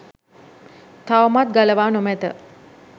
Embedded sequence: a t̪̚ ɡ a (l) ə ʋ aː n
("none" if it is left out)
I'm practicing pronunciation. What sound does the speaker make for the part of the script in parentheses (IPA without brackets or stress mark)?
l